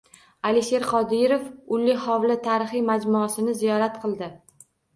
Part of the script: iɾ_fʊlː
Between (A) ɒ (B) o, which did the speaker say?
B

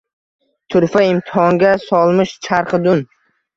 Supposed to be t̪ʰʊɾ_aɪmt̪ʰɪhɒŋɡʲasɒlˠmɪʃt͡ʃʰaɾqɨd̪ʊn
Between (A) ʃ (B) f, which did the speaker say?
B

